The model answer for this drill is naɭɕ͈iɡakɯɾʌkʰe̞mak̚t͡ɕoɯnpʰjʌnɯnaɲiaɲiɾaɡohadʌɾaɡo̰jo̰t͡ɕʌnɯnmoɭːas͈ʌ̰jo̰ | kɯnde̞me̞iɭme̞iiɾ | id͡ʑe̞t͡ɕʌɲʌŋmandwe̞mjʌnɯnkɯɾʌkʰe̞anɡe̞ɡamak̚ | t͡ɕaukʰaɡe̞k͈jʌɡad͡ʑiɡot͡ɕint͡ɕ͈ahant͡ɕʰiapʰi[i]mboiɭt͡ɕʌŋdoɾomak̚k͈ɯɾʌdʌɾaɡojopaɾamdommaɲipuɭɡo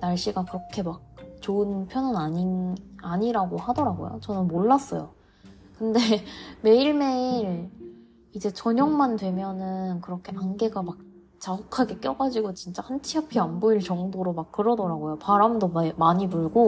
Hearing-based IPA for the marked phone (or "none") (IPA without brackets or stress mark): a